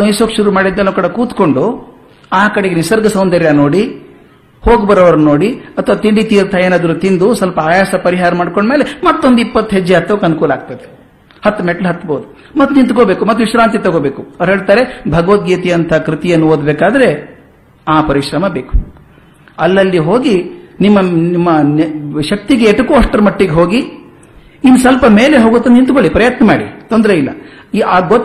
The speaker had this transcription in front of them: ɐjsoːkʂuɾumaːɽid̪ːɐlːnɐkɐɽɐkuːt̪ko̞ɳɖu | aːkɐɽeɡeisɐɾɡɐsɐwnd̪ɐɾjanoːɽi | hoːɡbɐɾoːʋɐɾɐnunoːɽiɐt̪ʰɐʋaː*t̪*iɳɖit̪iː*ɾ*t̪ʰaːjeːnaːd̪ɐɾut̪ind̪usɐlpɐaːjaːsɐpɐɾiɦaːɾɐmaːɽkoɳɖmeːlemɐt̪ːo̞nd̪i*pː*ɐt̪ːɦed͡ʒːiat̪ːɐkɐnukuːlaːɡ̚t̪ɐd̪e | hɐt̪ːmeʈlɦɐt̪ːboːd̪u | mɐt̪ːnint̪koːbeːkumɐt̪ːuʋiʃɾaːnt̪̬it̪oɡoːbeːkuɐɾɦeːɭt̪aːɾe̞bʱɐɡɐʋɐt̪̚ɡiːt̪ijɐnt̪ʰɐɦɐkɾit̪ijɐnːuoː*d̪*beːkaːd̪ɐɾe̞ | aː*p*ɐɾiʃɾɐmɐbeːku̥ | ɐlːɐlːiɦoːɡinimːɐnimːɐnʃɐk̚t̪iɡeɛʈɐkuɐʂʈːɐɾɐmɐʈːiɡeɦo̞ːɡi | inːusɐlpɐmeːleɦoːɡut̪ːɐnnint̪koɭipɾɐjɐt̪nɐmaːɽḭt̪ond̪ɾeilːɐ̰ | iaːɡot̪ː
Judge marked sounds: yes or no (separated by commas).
yes, yes, yes, yes, yes